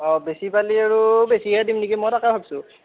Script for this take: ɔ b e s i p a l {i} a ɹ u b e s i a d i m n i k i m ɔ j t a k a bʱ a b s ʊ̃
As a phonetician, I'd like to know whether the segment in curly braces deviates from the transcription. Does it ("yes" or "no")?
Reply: no